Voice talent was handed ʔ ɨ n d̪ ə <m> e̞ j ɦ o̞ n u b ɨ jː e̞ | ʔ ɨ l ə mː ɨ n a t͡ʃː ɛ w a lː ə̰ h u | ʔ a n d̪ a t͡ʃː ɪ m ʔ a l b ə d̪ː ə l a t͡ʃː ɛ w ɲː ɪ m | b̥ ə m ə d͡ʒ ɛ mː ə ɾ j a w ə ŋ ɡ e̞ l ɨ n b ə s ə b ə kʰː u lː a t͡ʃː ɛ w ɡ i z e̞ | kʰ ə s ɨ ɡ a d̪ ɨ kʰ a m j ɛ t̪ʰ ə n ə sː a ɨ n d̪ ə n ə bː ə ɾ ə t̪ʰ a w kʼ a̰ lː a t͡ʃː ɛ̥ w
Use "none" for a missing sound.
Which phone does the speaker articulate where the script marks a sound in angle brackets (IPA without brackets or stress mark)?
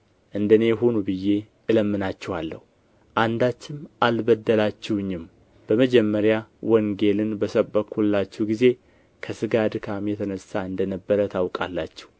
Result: n